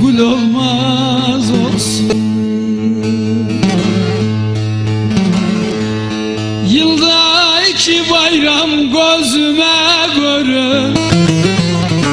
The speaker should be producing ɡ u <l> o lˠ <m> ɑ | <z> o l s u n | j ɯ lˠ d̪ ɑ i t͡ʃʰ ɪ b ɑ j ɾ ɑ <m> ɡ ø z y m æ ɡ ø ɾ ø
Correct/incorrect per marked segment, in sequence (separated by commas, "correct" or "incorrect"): correct, correct, correct, correct